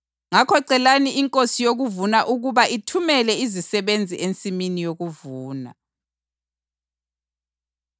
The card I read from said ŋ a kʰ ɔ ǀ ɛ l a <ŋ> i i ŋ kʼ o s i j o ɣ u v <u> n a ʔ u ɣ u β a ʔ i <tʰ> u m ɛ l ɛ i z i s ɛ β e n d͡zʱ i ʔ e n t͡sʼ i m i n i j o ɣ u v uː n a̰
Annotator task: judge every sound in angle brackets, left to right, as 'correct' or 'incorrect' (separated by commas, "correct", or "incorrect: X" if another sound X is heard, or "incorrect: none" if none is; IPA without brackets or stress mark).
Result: incorrect: n, correct, correct